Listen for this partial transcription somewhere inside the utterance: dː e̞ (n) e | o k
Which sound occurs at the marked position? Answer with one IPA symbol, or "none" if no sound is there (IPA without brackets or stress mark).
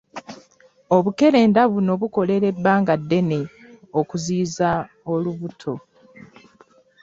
n